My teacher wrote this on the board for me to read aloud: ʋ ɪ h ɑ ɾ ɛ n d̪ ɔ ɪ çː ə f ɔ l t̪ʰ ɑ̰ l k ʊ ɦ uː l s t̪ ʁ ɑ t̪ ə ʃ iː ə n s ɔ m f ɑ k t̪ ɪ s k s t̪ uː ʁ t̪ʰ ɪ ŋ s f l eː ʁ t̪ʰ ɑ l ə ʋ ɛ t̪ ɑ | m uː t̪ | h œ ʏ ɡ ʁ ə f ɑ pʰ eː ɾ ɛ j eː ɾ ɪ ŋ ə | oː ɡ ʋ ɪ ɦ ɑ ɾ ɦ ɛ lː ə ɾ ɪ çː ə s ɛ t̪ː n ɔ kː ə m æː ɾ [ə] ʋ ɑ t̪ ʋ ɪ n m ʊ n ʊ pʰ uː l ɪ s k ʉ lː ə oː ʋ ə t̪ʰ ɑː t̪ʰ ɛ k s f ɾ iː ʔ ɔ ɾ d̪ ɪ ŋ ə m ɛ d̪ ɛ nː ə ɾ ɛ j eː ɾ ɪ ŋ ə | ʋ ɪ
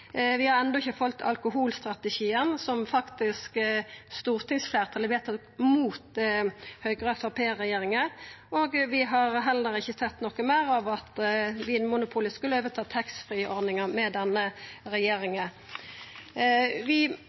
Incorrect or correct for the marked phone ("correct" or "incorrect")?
incorrect